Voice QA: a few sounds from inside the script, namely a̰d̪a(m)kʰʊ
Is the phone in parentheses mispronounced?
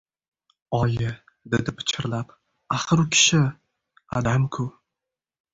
no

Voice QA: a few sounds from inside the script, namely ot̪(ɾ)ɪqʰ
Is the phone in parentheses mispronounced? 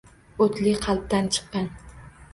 yes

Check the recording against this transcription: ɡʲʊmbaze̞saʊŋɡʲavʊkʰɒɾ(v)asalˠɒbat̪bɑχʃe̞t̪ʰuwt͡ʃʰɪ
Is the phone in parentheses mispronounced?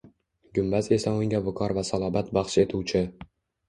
no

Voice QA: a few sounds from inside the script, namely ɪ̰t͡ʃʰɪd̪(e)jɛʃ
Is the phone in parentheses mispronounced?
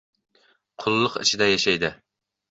yes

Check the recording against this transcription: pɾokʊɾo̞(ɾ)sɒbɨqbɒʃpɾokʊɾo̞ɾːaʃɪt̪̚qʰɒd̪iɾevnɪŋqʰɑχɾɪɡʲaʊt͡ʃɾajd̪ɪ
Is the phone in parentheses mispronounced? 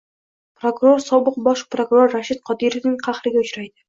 no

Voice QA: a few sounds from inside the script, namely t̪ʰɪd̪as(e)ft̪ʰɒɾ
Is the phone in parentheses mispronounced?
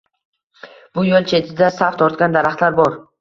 yes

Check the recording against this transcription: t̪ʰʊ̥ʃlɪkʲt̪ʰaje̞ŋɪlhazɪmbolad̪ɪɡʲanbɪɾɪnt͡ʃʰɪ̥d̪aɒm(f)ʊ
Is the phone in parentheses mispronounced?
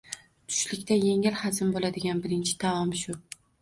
yes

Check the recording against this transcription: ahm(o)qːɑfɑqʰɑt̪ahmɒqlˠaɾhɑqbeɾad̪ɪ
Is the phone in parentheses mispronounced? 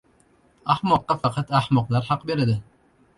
yes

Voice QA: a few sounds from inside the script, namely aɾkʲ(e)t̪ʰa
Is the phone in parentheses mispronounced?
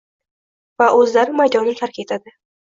no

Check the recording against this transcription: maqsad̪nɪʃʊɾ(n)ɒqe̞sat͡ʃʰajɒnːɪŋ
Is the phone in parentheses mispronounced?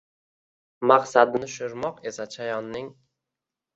yes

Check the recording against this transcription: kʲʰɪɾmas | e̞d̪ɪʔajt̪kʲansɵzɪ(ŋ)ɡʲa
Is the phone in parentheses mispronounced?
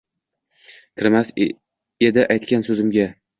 yes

